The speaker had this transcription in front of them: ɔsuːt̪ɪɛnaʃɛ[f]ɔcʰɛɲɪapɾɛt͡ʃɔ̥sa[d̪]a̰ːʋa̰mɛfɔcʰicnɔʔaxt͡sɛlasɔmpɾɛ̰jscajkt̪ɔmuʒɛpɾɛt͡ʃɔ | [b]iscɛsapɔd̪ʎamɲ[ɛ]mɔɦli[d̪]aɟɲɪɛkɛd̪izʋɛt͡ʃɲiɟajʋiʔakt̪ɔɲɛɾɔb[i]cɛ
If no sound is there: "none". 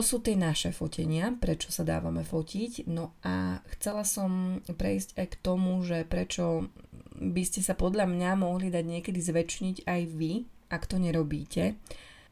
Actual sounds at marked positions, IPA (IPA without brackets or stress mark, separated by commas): f, d̪, b, a, d̪, iː